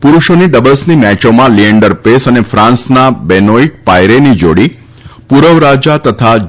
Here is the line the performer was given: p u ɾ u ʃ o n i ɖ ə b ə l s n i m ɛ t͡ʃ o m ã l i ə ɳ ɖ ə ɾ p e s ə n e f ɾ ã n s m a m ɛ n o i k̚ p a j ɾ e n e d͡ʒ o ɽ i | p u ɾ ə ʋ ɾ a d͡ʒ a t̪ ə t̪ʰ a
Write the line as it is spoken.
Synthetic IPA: p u ɾ u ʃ o n i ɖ ə b ə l s n i m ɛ t͡ʃ o m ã l i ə ɳ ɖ ə ɾ p e s ə n e f ɾ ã n s n a b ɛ n o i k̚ p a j ɾ e n i d͡ʒ o ɽ i | p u ɾ ə ʋ ɾ a d͡ʒ a t̪ ə t̪ʰ a